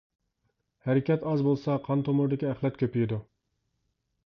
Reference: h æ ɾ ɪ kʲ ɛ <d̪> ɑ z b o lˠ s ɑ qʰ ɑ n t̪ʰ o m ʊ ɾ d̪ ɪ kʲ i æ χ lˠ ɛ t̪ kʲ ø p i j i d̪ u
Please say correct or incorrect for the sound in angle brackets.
incorrect: t̪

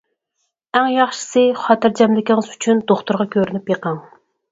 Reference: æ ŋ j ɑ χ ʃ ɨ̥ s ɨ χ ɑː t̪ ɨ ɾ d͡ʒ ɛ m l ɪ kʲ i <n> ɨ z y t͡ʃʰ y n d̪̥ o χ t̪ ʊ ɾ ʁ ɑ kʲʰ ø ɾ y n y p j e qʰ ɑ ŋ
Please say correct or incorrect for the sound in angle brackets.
incorrect: ŋ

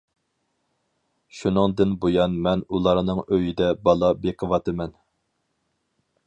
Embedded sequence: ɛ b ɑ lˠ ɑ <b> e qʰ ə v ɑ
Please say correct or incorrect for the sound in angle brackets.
correct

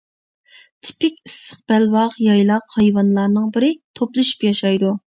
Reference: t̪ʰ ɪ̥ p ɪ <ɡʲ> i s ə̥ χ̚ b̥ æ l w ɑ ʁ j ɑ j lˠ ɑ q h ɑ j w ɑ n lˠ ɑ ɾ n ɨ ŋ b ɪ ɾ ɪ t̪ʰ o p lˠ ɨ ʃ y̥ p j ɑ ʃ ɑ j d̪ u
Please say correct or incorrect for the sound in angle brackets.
incorrect: kʲ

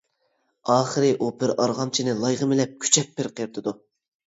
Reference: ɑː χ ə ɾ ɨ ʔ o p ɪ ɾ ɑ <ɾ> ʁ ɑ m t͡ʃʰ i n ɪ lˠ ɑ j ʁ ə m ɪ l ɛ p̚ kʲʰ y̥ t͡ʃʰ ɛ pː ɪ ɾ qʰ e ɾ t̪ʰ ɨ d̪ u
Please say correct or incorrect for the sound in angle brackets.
correct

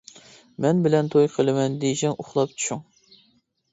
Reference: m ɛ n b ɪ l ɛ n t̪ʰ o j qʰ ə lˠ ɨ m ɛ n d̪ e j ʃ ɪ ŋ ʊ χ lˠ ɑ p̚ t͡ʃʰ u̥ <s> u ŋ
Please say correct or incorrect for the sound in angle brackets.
incorrect: ʃ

